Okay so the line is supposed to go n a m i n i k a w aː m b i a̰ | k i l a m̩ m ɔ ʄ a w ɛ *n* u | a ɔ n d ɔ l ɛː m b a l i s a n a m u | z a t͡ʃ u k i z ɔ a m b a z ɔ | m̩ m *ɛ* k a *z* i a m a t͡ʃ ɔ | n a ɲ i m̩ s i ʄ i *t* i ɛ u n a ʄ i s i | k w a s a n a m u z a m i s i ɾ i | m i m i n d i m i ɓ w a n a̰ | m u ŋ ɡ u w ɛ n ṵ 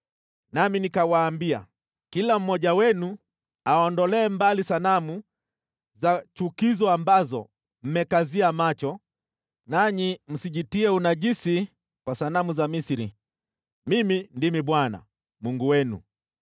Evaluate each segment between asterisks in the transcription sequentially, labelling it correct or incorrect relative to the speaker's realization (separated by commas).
correct, correct, correct, correct